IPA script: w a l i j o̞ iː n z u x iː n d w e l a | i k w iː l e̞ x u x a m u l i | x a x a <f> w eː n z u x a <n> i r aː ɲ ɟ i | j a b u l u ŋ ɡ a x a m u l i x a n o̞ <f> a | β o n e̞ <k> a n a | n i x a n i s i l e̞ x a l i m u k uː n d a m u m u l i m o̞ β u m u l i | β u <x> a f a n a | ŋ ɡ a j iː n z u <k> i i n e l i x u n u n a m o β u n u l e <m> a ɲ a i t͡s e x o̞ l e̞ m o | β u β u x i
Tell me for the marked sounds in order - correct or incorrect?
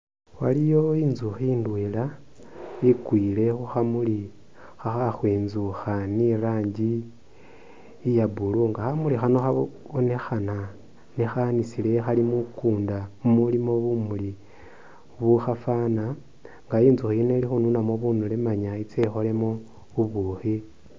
incorrect: x, correct, incorrect: x, incorrect: x, correct, incorrect: x, correct

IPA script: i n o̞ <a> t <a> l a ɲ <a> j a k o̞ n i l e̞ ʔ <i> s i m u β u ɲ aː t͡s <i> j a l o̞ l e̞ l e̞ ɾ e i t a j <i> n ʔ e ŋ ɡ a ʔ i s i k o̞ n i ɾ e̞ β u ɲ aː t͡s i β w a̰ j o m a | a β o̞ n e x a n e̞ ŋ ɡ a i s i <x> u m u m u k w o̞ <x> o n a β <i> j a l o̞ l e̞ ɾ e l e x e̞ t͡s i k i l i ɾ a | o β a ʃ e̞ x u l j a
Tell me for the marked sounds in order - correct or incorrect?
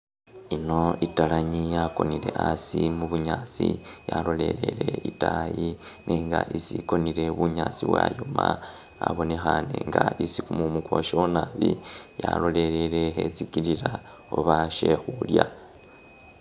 incorrect: i, correct, incorrect: i, incorrect: a, correct, correct, incorrect: k, incorrect: ʃ, correct

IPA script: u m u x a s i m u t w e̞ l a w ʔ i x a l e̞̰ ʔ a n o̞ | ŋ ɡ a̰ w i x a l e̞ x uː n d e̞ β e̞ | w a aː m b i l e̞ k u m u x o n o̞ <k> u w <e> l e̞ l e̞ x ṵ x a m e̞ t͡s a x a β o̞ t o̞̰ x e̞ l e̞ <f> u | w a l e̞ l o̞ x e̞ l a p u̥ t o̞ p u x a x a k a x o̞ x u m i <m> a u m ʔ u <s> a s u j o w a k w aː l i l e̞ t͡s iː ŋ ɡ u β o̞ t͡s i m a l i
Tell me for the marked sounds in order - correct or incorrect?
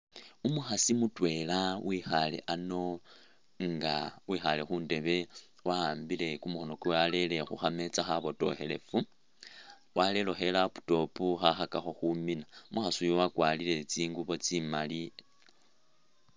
correct, incorrect: a, correct, incorrect: n, incorrect: x

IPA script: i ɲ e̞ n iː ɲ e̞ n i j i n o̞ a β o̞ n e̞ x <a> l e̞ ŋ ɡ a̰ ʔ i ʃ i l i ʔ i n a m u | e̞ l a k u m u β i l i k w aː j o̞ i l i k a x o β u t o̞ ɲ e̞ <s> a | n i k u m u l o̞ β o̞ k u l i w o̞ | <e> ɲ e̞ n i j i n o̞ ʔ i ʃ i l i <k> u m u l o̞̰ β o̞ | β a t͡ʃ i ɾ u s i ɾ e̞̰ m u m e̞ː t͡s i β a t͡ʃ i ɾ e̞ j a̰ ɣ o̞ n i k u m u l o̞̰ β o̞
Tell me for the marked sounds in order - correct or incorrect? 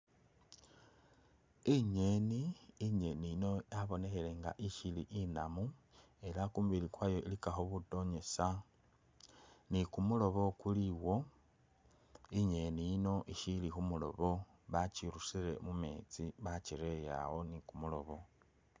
incorrect: e, correct, incorrect: i, incorrect: x

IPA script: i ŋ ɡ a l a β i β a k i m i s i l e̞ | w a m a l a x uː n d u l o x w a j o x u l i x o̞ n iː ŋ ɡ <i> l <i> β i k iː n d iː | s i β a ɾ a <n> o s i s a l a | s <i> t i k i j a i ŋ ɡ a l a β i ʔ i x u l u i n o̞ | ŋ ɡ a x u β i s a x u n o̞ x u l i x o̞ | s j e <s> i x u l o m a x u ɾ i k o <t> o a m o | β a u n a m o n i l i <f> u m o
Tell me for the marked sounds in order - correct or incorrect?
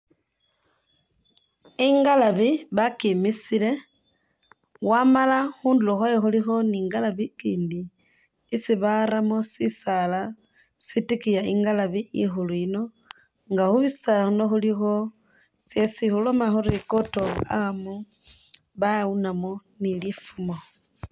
incorrect: a, incorrect: a, incorrect: m, correct, correct, correct, correct

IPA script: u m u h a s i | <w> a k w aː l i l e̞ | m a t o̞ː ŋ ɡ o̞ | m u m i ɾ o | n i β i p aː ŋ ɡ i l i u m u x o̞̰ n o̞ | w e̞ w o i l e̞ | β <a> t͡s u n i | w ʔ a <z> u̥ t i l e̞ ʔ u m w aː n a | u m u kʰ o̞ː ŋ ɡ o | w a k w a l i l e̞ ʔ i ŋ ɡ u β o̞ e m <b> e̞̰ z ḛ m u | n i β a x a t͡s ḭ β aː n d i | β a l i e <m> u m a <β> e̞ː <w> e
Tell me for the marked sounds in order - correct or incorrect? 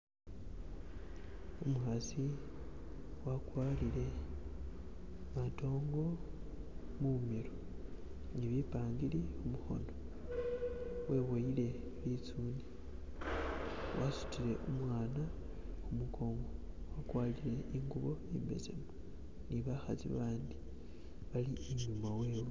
correct, incorrect: i, incorrect: s, correct, incorrect: ɲ, incorrect: w, correct

